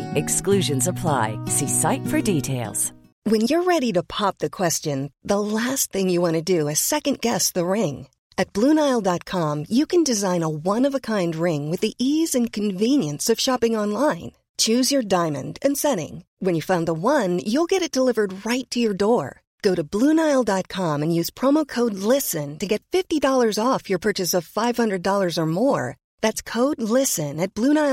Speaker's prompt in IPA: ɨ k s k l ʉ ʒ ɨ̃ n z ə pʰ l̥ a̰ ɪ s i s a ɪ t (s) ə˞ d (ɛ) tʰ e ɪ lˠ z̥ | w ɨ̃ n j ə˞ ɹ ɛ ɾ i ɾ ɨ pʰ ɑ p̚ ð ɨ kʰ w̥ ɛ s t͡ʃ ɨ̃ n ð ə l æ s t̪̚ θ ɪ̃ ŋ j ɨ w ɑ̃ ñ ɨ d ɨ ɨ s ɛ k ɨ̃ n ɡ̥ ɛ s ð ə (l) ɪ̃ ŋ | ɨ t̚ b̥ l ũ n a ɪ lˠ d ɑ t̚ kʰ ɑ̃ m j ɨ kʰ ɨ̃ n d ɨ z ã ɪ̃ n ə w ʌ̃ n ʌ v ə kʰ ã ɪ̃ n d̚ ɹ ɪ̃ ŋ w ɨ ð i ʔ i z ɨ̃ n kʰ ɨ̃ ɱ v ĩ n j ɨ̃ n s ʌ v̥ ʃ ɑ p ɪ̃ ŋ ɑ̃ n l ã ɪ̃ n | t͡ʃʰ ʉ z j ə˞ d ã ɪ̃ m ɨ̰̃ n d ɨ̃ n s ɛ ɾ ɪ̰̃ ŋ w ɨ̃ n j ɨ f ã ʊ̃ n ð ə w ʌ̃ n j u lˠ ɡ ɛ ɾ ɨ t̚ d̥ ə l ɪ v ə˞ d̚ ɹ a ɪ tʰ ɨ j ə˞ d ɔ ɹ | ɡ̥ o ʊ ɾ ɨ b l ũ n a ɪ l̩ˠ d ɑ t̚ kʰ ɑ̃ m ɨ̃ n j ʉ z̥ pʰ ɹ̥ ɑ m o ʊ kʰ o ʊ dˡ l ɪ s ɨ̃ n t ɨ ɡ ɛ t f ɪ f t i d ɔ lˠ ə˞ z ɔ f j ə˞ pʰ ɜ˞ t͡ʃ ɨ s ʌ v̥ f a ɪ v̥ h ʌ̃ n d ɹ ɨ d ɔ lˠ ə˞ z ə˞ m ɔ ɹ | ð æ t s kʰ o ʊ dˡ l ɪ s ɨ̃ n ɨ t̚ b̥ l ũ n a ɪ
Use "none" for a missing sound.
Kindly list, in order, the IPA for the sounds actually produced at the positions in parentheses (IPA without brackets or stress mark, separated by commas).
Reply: f, i, ɹ